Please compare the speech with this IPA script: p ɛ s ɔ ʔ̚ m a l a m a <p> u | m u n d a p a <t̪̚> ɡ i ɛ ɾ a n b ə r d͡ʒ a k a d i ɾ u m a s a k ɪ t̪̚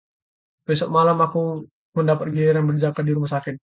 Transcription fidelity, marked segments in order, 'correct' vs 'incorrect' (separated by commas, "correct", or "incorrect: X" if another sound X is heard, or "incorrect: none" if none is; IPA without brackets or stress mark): incorrect: k, correct